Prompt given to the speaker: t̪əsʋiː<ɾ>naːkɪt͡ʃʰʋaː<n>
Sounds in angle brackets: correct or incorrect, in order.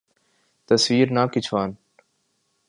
correct, correct

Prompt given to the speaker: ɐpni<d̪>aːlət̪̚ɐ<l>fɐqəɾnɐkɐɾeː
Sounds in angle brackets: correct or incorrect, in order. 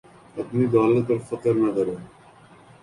correct, incorrect: ɾ

